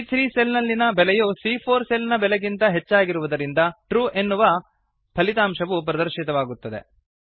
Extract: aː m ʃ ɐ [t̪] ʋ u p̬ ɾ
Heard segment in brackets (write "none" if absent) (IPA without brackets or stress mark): none